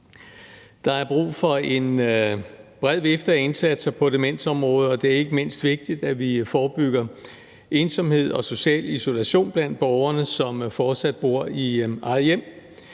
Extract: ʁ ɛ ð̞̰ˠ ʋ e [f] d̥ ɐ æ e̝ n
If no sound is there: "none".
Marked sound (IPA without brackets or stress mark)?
f